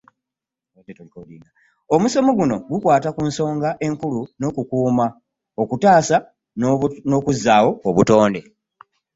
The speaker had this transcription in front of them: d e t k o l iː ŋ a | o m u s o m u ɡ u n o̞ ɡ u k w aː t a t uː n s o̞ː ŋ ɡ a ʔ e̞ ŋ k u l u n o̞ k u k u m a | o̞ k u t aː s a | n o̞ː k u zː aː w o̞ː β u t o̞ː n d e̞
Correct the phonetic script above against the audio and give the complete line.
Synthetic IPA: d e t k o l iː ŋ a | o m u s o m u ɡ u n o̞ ɡ u k w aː t a k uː n s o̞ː ŋ ɡ a ʔ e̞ ŋ k u l u n o̞ k u k uː m a | o̞ k u t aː s a | n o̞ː k u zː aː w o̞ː β u t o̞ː n d e̞